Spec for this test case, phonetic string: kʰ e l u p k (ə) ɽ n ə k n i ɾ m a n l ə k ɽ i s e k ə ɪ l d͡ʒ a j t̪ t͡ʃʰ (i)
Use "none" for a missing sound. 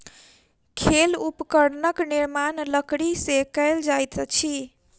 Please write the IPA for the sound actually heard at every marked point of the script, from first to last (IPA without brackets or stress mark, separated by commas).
ə, i